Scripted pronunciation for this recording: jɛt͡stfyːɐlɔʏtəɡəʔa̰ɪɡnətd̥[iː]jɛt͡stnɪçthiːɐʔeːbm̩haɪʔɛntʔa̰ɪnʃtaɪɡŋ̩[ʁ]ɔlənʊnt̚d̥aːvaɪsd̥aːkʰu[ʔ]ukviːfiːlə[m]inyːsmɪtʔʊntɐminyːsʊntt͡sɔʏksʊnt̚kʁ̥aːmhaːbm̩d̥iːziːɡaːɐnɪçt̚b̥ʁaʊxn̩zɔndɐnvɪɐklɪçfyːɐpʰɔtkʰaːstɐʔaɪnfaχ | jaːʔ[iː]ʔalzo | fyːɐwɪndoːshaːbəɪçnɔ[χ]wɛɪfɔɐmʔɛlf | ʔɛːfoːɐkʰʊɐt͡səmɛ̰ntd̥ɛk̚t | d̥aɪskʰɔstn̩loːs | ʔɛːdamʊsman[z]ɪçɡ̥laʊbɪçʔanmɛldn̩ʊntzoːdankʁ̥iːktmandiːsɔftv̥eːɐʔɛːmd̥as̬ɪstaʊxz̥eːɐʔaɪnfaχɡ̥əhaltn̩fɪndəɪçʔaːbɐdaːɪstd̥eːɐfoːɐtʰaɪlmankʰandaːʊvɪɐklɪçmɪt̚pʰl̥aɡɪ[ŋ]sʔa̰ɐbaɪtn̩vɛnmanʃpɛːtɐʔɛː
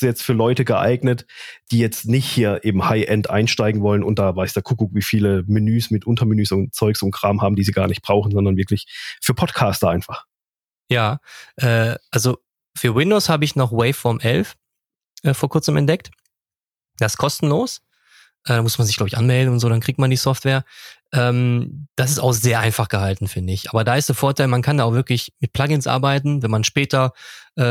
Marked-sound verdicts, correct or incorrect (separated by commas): correct, incorrect, incorrect, correct, incorrect, correct, correct, incorrect